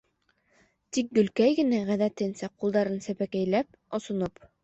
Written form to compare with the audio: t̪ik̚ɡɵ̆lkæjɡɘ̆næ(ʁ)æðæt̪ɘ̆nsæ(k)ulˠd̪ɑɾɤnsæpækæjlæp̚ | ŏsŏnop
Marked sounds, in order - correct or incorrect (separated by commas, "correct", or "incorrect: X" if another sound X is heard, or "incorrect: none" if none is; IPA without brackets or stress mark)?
correct, incorrect: q